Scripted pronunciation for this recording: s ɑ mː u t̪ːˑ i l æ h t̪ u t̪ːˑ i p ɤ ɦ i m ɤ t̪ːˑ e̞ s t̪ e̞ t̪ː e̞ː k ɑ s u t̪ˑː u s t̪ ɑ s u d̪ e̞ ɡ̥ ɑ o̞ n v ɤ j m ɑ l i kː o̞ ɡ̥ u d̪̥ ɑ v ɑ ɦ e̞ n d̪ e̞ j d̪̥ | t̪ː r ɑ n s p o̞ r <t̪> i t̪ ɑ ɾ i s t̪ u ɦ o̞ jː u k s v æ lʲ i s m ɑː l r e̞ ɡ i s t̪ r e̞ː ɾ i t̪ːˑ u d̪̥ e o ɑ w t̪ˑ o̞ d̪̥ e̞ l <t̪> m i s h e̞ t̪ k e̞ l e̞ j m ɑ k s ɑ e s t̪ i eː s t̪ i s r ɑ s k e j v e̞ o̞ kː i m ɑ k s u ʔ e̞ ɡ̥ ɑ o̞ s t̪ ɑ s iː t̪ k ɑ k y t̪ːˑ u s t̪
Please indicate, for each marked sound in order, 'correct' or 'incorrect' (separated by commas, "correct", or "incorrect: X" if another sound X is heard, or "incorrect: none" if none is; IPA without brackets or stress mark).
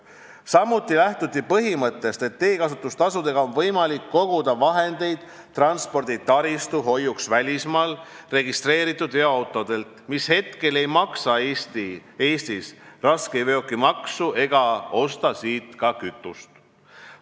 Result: incorrect: d̪, correct